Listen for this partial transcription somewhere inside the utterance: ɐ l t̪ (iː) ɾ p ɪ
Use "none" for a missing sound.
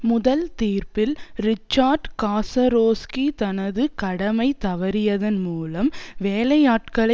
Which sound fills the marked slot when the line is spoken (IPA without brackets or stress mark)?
iː